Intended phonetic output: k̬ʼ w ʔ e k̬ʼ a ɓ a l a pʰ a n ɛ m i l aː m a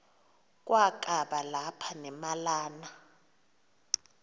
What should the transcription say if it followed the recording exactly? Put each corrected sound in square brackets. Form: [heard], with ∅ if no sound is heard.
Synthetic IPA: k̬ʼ w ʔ [a] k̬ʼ a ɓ a l a pʰ a n ɛ m [a] l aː [n] a